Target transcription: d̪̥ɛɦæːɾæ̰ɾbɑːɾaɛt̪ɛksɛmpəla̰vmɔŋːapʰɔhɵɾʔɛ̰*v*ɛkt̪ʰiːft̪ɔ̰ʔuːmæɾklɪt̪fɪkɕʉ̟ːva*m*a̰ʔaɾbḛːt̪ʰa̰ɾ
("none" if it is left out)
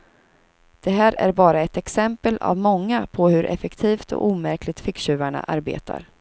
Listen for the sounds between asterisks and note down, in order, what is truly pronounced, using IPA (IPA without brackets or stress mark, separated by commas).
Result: f, ɳ